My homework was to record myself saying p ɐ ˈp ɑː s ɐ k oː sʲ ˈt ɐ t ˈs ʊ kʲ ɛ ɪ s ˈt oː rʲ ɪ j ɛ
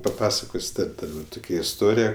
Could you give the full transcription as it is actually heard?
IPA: p ɐ ˈp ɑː s ɐ k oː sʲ ˈt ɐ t ˈt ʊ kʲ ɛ ɪ s ˈt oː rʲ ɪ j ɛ